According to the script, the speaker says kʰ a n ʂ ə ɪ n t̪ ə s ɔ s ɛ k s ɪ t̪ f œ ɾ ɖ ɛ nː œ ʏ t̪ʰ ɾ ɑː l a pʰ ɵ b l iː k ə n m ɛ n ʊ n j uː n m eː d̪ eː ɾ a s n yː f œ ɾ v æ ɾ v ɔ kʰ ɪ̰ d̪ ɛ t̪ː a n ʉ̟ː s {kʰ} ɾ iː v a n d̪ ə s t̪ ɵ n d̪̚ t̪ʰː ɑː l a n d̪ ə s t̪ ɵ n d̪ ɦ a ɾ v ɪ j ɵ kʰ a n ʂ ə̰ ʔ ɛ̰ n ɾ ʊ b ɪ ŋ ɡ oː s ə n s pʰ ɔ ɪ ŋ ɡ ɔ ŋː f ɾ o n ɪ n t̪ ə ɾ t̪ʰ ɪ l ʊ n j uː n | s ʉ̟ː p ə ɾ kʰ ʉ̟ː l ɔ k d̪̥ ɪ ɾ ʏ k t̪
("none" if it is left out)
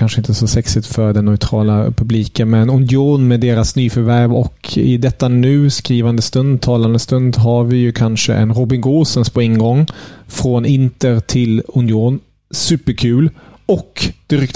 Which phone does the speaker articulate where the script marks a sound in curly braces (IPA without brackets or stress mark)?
k